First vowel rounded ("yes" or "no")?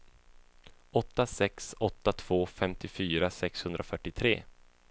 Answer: yes